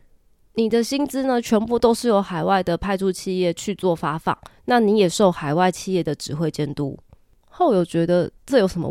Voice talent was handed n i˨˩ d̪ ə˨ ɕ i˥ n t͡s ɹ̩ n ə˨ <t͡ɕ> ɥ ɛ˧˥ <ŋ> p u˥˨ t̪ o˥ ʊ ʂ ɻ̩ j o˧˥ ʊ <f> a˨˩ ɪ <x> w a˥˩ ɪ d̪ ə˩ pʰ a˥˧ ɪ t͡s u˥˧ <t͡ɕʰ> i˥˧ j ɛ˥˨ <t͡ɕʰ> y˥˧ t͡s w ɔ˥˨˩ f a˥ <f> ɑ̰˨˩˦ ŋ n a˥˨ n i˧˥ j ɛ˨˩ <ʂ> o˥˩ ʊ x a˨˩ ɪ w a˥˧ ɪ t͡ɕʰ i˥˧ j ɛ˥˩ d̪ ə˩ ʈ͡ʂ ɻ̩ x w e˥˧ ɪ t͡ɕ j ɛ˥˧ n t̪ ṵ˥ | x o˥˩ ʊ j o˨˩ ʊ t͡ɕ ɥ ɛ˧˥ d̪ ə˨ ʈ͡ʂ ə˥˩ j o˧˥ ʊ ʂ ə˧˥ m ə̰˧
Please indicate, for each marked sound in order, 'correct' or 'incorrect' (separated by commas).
incorrect, incorrect, incorrect, incorrect, correct, correct, correct, correct